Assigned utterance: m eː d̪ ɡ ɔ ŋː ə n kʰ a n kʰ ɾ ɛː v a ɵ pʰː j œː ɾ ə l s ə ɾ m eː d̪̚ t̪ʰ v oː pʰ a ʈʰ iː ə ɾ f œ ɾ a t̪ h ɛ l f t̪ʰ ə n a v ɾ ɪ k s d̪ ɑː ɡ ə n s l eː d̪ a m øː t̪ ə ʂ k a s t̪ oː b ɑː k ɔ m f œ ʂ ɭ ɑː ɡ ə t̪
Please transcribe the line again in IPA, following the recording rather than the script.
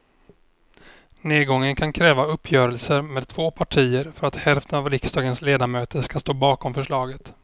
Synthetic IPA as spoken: n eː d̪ ɡ ɔ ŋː ə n kʰ a n kʰ ɾ ɛː v a ɵ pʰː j œː ɾ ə l s ə ɾ m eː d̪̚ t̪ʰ v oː pʰ a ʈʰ iː ə ɾ f œ ɾ a t̪ h ɛ l f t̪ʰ ə n a v ɾ ɪ k s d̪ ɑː ɡ ə n s l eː d̪ a m øː t̪ ə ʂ k a s t̪ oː b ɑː k ɔ m f œ ʂ ɭ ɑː ɡ ə t̪